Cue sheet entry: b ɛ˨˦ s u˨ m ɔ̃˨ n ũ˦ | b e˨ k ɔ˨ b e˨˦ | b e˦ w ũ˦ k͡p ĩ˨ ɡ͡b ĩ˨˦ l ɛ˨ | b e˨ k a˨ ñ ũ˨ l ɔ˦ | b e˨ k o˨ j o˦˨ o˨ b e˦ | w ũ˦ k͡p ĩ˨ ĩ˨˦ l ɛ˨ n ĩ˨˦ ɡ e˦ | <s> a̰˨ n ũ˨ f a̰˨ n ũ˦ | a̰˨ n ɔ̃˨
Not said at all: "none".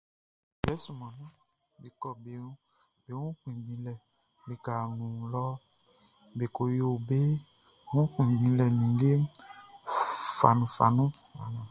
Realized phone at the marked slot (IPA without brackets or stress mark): f